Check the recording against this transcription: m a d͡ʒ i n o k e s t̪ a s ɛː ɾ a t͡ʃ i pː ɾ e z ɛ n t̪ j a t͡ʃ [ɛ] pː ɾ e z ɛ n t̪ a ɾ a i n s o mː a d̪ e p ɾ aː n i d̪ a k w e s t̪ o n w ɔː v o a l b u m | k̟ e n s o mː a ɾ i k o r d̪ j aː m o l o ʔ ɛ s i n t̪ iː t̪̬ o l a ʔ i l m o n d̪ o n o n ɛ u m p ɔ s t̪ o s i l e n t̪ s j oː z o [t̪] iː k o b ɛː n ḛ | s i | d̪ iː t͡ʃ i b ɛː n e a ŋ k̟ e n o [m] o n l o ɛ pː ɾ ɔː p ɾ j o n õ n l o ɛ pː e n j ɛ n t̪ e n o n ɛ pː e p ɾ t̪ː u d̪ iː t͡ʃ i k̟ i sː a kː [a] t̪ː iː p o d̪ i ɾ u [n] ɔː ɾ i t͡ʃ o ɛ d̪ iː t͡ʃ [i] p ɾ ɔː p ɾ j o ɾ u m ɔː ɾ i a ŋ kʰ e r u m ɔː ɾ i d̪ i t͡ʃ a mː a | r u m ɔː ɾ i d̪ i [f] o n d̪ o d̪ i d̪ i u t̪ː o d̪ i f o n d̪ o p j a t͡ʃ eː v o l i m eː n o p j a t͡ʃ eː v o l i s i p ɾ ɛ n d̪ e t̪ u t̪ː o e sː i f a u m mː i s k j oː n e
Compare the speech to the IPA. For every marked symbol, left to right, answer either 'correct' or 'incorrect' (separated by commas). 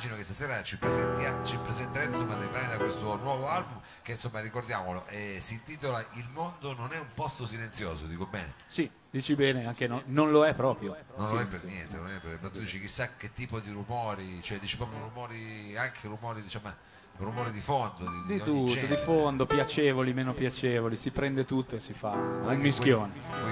incorrect, incorrect, incorrect, incorrect, incorrect, correct, correct